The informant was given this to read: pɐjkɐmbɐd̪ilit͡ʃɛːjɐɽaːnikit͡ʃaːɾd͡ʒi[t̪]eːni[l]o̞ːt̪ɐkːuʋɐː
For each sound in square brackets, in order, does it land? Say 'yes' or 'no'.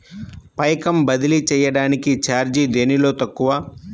no, yes

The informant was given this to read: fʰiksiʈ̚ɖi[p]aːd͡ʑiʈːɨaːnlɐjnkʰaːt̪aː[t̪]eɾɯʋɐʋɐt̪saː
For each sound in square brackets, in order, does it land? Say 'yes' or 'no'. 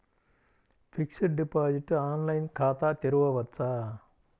yes, yes

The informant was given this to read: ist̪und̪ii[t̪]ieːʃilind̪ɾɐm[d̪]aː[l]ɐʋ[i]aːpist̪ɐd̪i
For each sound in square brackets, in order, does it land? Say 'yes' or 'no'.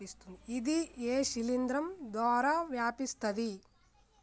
no, yes, no, no

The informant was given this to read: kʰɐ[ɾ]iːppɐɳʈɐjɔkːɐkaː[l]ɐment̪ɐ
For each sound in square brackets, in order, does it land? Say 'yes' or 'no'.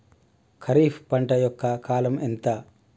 yes, yes

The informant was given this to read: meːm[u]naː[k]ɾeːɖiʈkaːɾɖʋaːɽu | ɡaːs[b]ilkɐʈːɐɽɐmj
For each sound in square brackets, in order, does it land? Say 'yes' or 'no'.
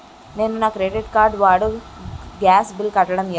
yes, yes, yes

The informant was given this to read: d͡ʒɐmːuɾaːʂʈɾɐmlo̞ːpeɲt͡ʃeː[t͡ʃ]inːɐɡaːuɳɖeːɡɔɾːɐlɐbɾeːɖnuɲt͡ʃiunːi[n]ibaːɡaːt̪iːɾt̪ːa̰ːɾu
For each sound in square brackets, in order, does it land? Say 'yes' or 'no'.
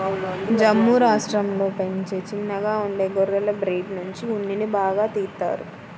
yes, yes

